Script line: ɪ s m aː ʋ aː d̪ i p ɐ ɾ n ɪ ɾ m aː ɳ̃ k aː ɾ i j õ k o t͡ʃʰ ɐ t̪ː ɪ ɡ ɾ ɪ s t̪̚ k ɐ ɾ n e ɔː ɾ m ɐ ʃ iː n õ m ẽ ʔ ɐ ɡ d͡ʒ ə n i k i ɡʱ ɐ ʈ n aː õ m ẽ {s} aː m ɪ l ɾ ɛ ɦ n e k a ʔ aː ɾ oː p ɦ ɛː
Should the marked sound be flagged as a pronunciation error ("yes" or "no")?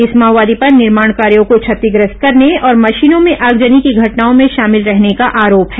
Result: yes